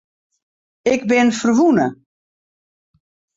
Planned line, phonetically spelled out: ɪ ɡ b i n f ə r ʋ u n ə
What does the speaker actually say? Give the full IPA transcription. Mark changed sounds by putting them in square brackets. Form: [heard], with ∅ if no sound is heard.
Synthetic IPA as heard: ɪ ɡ b [ɪ] n f ə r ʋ u n ə